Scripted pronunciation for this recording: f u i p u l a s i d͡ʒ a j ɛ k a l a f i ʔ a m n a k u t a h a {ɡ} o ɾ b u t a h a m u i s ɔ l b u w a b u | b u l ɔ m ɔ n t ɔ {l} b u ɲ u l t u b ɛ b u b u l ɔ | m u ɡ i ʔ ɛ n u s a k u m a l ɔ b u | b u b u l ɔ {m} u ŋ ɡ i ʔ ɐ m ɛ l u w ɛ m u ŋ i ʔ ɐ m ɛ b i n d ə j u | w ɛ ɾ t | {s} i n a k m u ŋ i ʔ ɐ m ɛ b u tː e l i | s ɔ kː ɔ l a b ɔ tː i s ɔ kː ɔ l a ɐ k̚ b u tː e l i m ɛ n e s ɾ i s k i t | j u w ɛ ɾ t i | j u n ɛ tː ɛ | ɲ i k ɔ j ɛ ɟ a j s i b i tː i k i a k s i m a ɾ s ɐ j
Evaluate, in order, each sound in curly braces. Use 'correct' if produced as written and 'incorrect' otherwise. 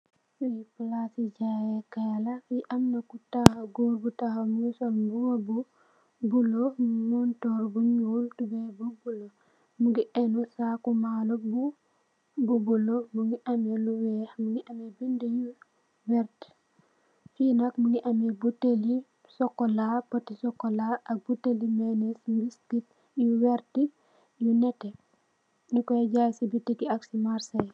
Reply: correct, incorrect: ɾ, correct, incorrect: f

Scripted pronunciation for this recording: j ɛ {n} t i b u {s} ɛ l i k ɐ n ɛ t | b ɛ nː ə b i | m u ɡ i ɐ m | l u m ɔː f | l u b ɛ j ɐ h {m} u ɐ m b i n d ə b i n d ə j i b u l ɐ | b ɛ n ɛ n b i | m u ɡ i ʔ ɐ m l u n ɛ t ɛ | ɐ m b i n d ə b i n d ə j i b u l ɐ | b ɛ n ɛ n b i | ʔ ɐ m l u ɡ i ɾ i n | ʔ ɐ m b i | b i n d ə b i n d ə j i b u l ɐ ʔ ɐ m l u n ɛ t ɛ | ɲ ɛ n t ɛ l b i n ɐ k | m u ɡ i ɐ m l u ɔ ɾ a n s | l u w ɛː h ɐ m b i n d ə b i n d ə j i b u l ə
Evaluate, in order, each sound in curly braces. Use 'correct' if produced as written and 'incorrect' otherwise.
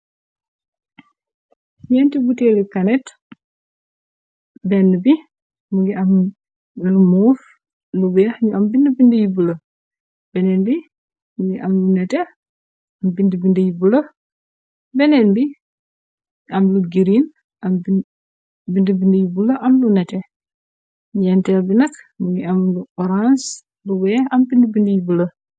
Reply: correct, incorrect: t, incorrect: ɲ

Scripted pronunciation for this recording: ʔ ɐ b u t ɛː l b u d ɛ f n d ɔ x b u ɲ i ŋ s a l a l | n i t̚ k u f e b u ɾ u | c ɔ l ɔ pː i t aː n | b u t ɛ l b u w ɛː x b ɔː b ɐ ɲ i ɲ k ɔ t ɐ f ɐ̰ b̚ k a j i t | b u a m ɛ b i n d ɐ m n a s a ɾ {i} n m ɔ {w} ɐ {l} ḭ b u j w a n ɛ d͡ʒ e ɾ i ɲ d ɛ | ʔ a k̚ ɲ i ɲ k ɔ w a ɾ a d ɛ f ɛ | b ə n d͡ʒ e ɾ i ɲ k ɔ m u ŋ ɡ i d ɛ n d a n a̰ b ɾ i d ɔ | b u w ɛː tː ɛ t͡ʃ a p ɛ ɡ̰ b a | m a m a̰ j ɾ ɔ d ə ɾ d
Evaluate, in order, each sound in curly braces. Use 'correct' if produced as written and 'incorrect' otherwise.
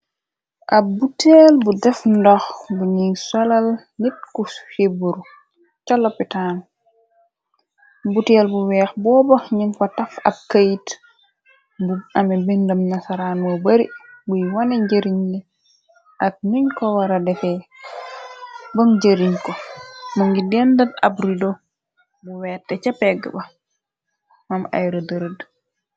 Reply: incorrect: a, incorrect: b, incorrect: ɾ

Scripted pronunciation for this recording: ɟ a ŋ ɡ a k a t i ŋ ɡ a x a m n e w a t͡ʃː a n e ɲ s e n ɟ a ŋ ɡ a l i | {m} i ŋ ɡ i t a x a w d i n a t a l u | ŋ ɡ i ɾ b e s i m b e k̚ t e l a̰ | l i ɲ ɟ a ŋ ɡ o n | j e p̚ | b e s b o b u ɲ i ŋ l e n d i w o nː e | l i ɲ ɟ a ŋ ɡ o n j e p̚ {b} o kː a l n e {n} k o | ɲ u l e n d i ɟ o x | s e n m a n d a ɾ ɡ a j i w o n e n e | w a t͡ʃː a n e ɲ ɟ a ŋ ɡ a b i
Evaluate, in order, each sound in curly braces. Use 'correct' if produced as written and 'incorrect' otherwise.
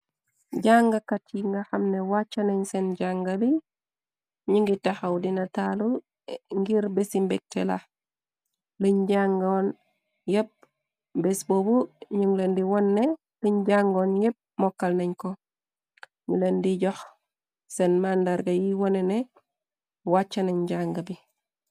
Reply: incorrect: ɲ, incorrect: m, incorrect: ɲ

